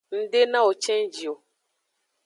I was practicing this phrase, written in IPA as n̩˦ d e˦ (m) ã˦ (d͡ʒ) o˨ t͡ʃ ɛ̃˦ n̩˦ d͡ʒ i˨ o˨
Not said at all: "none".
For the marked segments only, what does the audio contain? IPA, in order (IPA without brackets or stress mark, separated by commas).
n, none